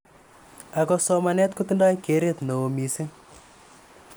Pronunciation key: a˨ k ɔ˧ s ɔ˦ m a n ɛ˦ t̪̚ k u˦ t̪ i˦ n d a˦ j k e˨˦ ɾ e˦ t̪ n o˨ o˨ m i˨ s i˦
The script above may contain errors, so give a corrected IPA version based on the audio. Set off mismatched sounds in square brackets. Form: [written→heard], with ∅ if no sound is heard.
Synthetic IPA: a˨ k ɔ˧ s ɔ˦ m a n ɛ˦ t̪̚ k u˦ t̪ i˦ n d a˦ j k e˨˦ ɾ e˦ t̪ n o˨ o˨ m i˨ s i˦